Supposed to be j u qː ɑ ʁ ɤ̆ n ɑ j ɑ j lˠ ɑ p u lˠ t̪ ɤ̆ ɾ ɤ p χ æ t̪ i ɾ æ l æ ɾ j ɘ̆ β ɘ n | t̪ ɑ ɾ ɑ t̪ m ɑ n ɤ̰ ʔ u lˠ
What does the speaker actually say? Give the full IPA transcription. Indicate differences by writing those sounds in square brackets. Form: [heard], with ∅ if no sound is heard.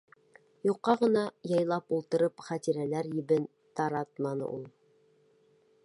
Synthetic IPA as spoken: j u qː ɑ ʁ ɤ̆ n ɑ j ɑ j lˠ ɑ p u lˠ t̪ ɤ̆ ɾ ɤ p χ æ t̪ i ɾ æ l æ ɾ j ɘ̆ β ɘ n | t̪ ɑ ɾ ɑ t̪ m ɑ n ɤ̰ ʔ u lˠ